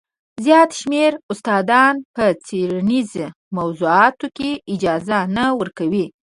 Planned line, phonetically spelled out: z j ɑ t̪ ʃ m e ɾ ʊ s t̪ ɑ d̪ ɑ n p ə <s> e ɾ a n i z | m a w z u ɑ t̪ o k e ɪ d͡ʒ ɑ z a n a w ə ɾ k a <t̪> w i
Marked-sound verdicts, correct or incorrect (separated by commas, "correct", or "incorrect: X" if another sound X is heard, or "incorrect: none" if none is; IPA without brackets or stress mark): incorrect: t͡s, incorrect: none